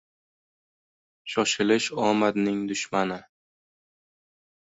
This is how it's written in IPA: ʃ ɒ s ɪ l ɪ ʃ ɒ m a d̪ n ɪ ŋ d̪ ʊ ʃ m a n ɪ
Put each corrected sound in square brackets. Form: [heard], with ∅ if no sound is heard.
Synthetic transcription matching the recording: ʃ ɒ [ʃ] ɪ l ɪ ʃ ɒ m a d̪ n ɪ ŋ d̪ ʊ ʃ m a n ɪ

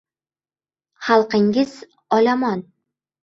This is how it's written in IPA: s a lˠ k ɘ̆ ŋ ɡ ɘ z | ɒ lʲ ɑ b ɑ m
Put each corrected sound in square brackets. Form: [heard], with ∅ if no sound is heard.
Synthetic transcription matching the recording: [χ] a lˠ [q] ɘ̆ ŋ ɡ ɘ z | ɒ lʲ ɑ [m] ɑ [n]

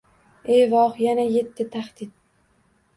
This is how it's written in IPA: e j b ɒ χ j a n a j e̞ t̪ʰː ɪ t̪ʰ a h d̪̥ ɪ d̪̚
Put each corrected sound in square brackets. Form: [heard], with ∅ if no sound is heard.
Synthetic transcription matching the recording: e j [v] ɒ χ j a n a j e̞ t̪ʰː ɪ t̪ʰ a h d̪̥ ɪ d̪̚

